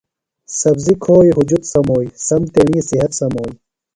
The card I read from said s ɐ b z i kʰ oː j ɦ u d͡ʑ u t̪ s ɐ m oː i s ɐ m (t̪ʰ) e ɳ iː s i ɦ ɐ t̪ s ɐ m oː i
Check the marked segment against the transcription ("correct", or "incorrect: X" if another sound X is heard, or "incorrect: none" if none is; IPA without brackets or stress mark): incorrect: t̪